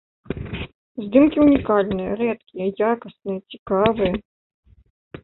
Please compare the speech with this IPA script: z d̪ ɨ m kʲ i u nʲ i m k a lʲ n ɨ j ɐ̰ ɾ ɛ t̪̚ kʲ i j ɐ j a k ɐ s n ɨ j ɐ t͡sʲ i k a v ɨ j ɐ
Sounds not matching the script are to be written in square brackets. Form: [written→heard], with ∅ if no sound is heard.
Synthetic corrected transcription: z d̪ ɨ m kʲ i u nʲ i [m→∅] k a lʲ n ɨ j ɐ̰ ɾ ɛ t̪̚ kʲ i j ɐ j a k ɐ s n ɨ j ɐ t͡sʲ i k a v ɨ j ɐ

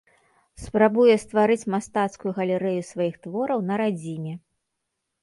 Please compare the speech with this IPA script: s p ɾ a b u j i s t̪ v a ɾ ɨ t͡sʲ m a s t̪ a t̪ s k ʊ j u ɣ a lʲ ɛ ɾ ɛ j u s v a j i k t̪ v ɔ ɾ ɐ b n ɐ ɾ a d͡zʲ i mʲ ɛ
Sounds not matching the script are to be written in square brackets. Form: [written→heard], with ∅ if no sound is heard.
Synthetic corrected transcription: s p ɾ a b u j [i→ɛ] s t̪ v a ɾ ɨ t͡sʲ m a s t̪ a t̪ s k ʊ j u ɣ [a→ɐ] lʲ ɛ ɾ ɛ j u s v a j i [k→x] t̪ v ɔ ɾ ɐ [b→w] n ɐ ɾ a d͡zʲ i mʲ ɛ

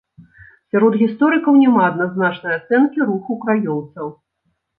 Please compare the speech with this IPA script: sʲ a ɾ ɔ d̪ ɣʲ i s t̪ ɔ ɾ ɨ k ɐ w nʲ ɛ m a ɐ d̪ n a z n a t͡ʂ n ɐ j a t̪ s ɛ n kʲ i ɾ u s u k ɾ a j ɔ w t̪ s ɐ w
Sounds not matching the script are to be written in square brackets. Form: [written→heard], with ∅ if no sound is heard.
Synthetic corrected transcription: sʲ a ɾ ɔ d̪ ɣʲ i s t̪ ɔ ɾ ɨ k ɐ w nʲ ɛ m a ɐ d̪ n a z n a t͡ʂ n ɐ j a t̪ s ɛ n kʲ i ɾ u [s→x] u k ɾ a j ɔ w t̪ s ɐ w

